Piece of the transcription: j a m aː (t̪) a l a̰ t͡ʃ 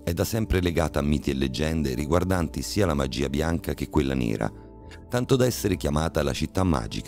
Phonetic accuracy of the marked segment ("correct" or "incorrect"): correct